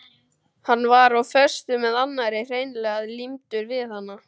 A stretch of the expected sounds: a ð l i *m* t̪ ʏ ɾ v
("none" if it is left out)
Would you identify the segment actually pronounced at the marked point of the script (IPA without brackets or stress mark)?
m